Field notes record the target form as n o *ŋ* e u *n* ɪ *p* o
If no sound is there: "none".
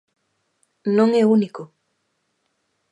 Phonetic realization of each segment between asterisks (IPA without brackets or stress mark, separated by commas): ŋ, n, k